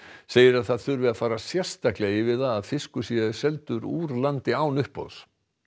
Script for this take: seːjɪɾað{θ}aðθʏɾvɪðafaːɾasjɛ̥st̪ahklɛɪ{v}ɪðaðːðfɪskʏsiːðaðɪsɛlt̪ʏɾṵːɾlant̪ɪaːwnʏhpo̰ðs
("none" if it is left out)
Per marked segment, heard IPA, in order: θ, v

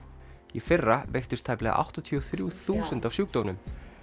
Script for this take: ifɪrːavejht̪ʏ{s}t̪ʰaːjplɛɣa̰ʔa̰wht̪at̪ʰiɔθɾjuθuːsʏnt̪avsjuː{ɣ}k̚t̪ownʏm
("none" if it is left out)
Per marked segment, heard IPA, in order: s, none

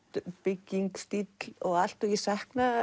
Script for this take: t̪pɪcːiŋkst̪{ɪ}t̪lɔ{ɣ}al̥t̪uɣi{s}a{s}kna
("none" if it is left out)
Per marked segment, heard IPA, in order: i, ɣ, s, h

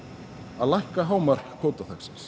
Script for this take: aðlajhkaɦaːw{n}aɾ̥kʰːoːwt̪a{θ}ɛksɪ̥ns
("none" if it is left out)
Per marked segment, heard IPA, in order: m, θ

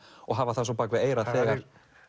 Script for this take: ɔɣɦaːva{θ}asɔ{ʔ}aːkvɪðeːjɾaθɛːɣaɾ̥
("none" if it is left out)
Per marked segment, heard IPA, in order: θ, p

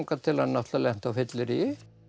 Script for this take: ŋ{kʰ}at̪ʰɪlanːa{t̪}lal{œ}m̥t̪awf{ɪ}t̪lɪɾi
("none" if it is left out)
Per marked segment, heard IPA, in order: k, t̪, ɛ, ɪ

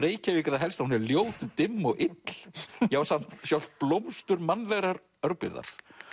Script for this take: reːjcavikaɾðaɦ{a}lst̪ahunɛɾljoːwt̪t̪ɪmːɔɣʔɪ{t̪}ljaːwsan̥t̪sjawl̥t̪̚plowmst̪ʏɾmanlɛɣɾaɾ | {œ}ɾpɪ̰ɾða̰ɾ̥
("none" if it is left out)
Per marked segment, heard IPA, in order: ɛ, t̪, œ

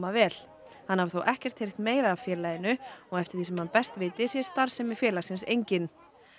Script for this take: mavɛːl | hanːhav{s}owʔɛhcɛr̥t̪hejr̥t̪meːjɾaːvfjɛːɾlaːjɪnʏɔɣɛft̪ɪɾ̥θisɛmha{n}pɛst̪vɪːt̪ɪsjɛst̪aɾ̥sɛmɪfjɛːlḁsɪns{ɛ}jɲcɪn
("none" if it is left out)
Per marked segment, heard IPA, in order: θ, n, e

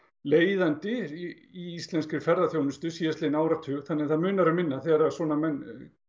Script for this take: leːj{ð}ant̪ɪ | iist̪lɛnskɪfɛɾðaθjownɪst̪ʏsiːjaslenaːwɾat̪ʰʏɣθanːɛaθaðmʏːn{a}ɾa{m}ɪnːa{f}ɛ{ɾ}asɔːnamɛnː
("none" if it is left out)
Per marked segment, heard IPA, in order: ð, a, m, θ, ɾ

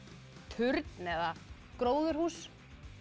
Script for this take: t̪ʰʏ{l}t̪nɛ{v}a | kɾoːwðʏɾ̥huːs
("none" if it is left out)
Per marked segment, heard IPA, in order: ɾ, ð

